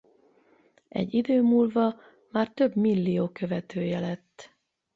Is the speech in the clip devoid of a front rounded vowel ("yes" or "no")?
no